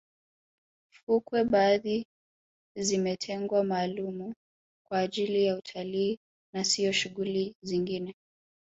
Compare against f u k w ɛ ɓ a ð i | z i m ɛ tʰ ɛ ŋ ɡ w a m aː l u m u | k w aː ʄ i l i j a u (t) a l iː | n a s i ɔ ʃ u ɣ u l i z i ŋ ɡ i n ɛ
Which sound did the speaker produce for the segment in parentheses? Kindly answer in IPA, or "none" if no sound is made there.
tʰ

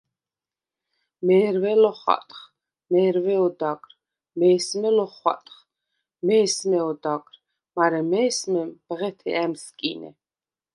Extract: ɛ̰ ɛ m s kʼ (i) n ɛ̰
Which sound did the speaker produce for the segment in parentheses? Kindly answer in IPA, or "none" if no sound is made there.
i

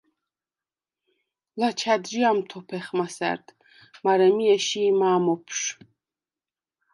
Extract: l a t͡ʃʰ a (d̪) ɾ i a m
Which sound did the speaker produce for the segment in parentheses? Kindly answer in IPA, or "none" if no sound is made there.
d̪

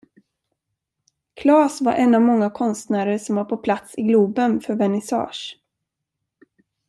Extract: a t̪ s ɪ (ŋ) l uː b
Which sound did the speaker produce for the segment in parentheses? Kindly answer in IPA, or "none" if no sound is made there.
ɡ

